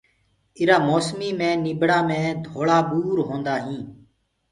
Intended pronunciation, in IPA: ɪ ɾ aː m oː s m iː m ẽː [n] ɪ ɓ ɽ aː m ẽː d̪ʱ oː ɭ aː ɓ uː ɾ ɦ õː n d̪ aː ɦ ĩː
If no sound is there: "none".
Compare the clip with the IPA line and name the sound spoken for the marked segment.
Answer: n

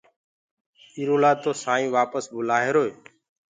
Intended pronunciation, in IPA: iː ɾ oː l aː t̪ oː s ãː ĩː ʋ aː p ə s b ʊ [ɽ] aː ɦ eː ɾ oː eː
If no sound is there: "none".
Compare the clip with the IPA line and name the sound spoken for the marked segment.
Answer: l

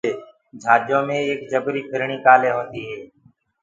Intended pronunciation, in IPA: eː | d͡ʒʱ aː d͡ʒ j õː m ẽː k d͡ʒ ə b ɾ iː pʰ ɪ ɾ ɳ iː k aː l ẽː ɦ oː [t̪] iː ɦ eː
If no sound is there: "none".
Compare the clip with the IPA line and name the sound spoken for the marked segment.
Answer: t̪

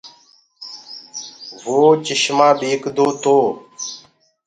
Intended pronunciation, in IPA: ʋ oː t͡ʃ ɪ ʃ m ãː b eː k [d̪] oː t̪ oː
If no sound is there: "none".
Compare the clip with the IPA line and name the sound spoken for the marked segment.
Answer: d̪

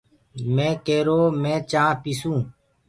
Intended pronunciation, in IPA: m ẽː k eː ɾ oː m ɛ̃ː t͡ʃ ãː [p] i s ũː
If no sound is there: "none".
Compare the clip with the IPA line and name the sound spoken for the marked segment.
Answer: p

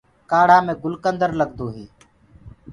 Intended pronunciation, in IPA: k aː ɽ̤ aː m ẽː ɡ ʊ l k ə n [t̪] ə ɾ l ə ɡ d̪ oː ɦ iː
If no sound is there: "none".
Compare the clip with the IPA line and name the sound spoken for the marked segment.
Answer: d̪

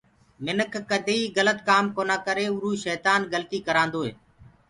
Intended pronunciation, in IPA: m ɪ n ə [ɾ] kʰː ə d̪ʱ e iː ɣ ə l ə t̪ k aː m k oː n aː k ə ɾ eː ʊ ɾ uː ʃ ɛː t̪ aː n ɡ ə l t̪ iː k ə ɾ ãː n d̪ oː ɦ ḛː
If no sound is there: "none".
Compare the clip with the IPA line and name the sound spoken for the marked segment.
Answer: none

